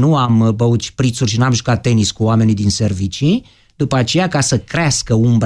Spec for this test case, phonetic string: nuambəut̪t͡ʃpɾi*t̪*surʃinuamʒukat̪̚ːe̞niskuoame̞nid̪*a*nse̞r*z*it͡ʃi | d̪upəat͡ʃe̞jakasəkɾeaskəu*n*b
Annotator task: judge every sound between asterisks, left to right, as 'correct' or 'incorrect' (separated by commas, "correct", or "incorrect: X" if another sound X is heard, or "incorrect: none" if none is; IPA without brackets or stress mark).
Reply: correct, incorrect: i, incorrect: v, incorrect: m